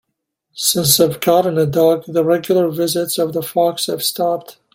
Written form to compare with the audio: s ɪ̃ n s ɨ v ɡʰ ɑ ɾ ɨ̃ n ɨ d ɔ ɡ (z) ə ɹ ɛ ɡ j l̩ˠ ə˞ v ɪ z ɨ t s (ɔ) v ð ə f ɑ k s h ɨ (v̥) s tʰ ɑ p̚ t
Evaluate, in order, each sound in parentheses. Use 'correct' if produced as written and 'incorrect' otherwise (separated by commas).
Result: incorrect, incorrect, correct